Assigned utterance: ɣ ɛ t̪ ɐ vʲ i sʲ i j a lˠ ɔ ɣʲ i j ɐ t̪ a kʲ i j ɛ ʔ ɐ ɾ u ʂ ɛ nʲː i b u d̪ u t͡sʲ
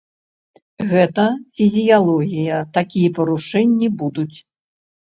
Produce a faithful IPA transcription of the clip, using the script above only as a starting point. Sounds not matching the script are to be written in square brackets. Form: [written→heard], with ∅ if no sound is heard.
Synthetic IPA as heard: ɣ ɛ t̪ ɐ [vʲ→fʲ] i [sʲ→zʲ] i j a lˠ ɔ ɣʲ i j ɐ t̪ a kʲ i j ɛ [ʔ→p] ɐ ɾ u ʂ ɛ nʲː i b u d̪ u t͡sʲ